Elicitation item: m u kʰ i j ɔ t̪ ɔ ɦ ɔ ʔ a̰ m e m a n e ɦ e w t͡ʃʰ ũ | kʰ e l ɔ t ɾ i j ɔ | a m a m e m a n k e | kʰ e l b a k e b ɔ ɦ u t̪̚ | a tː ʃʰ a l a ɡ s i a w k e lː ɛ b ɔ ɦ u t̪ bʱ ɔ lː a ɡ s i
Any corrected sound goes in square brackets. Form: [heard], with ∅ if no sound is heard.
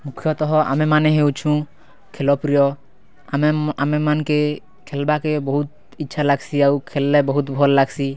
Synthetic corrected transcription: m u kʰ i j ɔ t̪ ɔ ɦ ɔ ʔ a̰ m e m a n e ɦ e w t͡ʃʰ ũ | kʰ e l ɔ [p] ɾ i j ɔ | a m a m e m a n k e | kʰ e l b a k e b ɔ ɦ u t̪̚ | [i] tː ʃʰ a l a ɡ s i a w [kʰ] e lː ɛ b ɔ ɦ u t̪ bʱ ɔ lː a ɡ s i